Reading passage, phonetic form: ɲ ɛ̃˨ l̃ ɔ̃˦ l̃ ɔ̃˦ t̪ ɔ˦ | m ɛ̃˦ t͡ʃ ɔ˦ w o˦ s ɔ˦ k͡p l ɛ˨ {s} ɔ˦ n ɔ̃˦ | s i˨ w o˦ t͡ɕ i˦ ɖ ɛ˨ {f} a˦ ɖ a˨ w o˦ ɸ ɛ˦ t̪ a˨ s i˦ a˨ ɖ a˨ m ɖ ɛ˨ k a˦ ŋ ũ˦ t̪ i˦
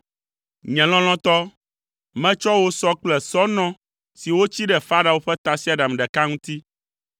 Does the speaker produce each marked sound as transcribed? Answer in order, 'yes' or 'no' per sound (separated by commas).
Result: yes, yes